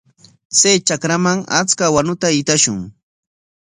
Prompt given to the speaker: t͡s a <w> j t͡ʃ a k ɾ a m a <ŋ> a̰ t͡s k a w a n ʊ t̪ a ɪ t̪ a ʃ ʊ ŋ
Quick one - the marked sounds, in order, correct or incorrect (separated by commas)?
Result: incorrect, correct